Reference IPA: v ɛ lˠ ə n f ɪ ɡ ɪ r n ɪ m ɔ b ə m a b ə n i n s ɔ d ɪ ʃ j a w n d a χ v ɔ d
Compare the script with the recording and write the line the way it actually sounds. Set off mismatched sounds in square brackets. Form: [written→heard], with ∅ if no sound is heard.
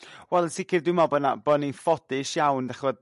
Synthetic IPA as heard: [v→w] ɛ lˠ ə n [f→s] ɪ [ɡ→k] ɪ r [n→d] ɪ m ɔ b ə [m→n] a b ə n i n [s→f] ɔ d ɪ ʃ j a w n d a χ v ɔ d